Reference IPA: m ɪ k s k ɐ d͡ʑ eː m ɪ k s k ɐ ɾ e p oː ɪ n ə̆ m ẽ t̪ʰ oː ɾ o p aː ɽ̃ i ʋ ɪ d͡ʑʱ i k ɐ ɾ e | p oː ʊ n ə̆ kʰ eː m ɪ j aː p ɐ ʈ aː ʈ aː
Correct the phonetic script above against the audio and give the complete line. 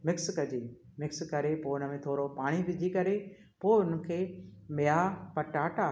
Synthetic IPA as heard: m ɪ k s k ɐ d͡ʑ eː m ɪ k s k ɐ ɾ e p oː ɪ n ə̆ m ẽ t̪ʰ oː ɾ o p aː ɽ̃ i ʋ ɪ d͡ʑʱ i k ɐ ɾ e | p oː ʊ n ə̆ kʰ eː m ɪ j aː p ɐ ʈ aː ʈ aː